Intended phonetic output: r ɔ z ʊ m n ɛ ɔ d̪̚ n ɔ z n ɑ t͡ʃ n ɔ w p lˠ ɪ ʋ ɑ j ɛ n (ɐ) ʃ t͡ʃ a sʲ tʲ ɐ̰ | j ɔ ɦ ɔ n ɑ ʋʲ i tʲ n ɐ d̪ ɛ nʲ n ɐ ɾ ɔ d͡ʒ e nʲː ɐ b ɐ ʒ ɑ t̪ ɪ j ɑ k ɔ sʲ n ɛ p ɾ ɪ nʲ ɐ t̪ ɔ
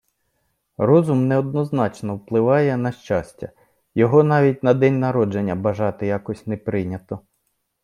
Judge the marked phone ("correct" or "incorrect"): correct